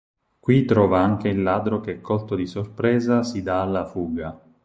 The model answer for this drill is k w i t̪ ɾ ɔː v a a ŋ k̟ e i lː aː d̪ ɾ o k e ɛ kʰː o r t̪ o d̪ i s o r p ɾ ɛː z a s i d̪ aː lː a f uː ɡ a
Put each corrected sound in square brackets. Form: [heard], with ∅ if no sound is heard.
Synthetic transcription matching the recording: k w i t̪ ɾ ɔː v a a ŋ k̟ e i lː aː d̪ ɾ o k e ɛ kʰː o [l] t̪ o d̪ i s o r p ɾ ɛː z a s i d̪ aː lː a f uː ɡ a